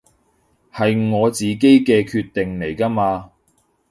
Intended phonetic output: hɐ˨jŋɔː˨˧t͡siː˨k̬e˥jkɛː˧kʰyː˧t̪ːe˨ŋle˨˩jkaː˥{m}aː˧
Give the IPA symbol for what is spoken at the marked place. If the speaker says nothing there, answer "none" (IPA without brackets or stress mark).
m